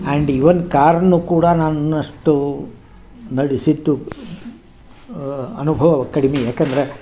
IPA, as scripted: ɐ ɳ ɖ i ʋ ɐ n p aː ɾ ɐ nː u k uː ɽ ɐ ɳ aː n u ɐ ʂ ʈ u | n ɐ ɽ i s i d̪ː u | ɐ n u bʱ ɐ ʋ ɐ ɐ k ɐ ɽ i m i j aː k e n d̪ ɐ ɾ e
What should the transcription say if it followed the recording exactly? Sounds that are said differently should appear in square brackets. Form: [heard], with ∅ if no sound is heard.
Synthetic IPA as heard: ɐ ɳ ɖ i ʋ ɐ n [k] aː ɾ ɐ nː u k uː ɽ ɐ [n] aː n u ɐ ʂ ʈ u | n ɐ ɽ i s i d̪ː u | ɐ n u bʱ ɐ ʋ ɐ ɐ k ɐ ɽ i m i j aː k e n d̪ ɐ ɾ e